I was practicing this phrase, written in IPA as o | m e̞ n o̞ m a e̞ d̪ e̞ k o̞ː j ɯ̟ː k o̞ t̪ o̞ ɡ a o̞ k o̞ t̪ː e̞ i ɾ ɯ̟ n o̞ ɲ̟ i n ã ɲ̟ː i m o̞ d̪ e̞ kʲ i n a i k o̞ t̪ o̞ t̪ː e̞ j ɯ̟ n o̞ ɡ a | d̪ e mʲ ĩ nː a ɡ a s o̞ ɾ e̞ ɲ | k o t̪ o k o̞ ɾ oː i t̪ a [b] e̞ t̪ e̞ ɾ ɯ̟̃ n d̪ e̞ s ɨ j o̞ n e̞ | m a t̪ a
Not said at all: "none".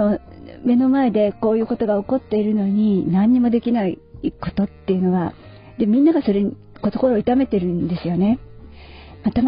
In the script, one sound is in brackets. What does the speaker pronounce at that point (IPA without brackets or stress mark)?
m